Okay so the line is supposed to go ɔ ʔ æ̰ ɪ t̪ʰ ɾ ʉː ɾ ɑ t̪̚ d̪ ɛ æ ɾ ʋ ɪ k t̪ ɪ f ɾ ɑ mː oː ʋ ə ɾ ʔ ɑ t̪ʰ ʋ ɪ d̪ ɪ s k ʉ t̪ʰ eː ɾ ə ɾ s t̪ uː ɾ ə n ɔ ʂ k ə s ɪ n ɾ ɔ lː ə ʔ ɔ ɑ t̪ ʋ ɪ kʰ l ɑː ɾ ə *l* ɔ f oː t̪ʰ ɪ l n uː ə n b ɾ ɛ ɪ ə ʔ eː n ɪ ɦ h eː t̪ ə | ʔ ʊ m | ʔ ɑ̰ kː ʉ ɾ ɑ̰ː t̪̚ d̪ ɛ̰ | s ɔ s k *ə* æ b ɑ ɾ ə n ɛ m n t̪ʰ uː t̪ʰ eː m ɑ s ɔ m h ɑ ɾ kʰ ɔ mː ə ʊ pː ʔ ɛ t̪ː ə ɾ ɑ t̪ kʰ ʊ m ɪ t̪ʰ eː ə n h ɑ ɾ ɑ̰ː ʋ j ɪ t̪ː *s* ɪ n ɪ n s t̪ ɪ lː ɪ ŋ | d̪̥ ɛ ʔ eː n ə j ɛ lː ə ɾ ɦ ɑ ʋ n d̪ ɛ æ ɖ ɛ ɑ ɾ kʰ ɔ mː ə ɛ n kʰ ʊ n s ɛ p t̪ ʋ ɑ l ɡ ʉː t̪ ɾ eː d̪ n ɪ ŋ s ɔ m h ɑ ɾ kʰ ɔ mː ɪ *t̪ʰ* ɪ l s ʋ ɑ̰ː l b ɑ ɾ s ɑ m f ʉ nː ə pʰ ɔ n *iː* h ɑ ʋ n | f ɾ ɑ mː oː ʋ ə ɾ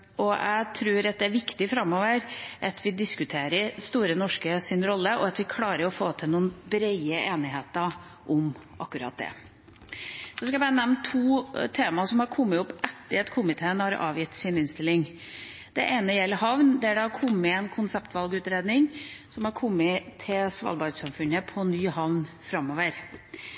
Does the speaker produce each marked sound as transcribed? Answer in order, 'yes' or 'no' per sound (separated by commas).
no, no, yes, yes, no